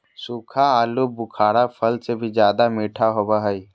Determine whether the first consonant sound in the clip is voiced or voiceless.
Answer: voiceless